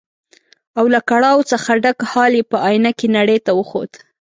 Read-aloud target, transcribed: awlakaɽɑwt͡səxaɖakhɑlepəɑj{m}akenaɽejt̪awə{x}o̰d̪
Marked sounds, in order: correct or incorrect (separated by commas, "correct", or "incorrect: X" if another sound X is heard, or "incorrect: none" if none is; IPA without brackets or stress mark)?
incorrect: n, correct